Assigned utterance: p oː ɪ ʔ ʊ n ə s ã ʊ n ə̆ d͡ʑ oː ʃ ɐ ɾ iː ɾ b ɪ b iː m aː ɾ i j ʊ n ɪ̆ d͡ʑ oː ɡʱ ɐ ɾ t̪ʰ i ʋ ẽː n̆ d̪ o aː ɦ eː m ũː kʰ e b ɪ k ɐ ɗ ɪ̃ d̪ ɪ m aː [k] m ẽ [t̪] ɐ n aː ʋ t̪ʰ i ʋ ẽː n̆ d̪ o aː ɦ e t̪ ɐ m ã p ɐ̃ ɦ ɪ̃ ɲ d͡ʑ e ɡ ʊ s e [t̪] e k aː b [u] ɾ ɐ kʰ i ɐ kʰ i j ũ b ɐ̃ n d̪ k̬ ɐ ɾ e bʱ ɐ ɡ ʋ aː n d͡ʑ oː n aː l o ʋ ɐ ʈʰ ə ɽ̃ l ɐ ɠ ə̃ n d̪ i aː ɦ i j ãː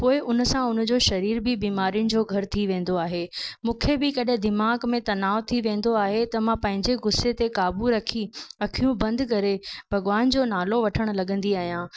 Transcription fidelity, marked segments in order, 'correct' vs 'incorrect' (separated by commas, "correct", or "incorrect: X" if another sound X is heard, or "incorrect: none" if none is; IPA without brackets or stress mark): incorrect: ɡ, correct, correct, correct